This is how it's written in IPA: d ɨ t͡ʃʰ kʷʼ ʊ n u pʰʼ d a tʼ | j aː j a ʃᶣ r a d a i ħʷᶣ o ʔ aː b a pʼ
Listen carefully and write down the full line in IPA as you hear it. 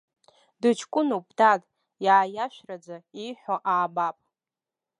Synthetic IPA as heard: d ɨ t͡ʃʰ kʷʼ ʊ n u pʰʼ d a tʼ | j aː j a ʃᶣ r a d͡z a i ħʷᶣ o ʔ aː b a pʼ